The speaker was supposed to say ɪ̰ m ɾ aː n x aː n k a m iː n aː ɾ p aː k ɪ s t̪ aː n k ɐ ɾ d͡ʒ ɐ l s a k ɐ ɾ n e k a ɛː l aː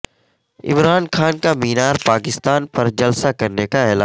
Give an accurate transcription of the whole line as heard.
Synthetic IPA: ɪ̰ m ɾ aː n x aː n k a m iː n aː ɾ p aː k ɪ s t̪ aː n p ɐ ɾ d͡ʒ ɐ l s a k ɐ ɾ n e k a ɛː l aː